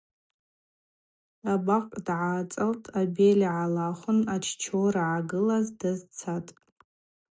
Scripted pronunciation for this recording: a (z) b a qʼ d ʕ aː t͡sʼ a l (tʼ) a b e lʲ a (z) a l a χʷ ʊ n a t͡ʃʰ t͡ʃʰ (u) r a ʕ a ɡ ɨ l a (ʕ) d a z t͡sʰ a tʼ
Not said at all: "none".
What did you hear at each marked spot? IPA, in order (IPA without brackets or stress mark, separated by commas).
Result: none, tʼ, ʕ, o, z